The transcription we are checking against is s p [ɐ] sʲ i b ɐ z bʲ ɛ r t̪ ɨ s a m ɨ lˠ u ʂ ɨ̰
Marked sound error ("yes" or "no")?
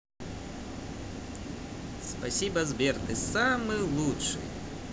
yes